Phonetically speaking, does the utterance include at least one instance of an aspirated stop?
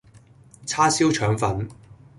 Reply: yes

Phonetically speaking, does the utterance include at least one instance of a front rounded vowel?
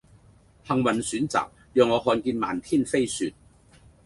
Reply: yes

